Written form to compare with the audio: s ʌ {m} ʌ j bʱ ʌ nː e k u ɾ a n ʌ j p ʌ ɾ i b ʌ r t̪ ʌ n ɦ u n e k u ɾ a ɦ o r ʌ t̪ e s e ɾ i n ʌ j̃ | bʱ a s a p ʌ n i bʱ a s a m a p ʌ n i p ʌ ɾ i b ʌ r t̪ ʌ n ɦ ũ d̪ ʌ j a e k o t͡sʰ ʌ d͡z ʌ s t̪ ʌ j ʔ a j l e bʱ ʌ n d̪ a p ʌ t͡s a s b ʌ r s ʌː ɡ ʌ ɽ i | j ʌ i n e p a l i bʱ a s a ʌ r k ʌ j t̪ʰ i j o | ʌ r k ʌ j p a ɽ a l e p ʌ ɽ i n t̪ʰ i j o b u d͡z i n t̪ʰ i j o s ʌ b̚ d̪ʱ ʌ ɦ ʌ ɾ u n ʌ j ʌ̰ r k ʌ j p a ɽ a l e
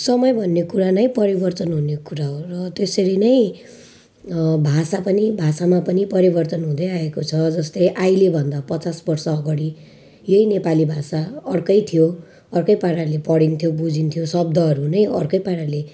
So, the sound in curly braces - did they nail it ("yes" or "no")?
yes